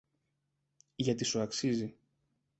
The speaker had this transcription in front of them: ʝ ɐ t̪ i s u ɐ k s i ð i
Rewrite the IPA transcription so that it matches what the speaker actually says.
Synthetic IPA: ʝ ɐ t̪ i s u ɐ k s i z i